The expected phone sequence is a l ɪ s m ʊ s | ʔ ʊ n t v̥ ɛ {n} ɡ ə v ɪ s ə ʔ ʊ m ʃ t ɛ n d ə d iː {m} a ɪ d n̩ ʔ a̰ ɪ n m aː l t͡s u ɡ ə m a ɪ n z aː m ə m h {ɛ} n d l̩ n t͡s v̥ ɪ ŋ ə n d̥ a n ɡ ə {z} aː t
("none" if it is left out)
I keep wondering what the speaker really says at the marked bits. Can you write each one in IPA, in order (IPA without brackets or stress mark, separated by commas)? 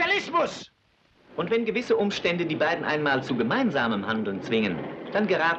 n, b, a, ʁ